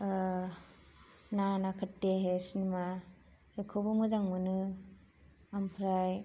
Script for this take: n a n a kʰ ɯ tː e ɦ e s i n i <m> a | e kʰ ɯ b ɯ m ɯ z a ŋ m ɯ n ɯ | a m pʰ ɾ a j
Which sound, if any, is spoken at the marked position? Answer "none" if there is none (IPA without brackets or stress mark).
m